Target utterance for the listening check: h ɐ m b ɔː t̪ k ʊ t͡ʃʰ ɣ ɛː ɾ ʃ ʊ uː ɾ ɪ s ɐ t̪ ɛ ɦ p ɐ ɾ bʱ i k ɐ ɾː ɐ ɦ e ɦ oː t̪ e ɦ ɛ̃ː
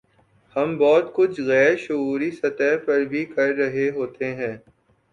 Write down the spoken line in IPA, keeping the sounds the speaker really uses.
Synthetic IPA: h ɐ m b ɔː t̪ k ʊ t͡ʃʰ ɣ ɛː ɾ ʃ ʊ uː ɾ i s ɐ t̪ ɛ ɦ p ɐ ɾ bʱ i k ɐ ɾː ɐ ɦ e ɦ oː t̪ e ɦ ɛ̃ː